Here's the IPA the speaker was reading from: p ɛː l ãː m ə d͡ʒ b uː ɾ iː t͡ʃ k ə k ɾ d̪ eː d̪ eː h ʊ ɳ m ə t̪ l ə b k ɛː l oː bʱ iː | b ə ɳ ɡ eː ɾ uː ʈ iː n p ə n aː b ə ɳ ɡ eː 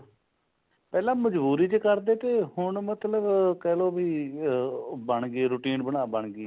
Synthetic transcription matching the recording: p ɛː l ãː m ə d͡ʒ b uː ɾ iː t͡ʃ k ə ɾ d̪ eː t̪ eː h ʊ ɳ m ə t̪ l ə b k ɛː l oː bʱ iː | b ə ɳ ɡ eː ɾ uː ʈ iː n b ə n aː b ə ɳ ɡ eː